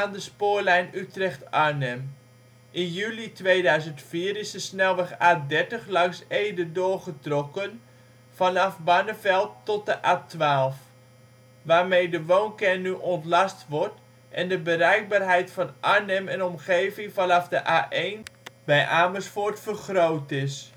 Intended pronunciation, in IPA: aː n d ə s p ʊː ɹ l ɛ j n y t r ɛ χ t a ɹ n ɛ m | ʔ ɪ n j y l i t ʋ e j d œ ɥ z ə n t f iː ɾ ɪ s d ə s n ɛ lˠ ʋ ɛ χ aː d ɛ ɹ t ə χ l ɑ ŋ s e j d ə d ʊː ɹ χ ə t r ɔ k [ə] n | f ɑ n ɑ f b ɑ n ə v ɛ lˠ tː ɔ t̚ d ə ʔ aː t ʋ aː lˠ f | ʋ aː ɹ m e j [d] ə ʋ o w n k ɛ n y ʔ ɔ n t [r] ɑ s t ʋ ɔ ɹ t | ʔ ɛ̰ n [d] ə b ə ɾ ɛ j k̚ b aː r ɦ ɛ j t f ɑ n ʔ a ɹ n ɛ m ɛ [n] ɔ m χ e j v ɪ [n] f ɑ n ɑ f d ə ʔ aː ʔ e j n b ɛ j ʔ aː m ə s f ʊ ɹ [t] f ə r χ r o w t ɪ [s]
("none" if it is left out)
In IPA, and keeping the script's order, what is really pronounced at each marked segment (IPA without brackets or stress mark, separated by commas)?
ə, d, l, d, n, ŋ, t, s